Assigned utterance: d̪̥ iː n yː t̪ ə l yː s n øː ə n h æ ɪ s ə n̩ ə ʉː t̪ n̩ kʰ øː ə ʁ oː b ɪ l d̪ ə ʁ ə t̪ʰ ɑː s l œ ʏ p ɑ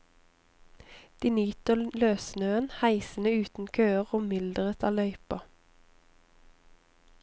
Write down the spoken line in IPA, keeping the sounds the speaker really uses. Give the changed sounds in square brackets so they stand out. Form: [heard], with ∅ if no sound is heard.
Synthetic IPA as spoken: d̪̥ iː n yː t̪ ə l [øː] s n øː ə n h æ ɪ s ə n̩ ə ʉː t̪ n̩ kʰ øː ə ʁ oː [m] ɪ l d̪ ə ʁ ə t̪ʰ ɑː [∅] l œ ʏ p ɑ